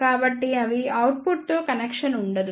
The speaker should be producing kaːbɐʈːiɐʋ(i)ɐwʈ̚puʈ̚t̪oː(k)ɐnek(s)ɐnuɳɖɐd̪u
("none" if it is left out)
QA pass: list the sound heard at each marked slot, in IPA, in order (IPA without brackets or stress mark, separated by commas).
i, k, ʂ